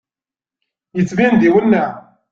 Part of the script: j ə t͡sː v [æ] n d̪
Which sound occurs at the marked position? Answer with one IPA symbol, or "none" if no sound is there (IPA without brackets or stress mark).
i